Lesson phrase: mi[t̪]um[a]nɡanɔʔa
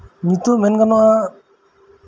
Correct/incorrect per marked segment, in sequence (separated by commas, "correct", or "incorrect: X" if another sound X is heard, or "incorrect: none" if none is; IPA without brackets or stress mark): correct, incorrect: ɛ